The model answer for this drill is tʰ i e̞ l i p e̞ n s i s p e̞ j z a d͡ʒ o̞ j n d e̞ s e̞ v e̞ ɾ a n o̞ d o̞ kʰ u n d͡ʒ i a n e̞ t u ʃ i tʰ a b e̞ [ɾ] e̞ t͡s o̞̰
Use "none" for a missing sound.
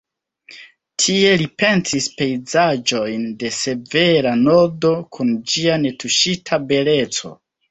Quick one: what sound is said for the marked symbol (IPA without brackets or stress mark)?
l